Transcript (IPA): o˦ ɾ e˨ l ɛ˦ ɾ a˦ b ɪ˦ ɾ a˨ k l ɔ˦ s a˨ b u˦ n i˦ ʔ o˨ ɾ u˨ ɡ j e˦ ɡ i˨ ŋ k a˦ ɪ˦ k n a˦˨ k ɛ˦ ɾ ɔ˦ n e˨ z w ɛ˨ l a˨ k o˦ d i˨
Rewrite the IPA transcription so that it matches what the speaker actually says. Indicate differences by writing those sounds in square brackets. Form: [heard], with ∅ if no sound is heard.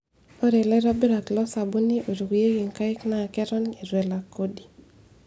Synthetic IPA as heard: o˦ ɾ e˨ l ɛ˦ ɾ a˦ b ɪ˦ ɾ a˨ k l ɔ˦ s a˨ b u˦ n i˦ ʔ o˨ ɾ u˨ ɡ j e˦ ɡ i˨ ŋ k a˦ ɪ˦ k n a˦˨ k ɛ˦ ɾ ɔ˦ n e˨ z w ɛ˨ l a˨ k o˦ d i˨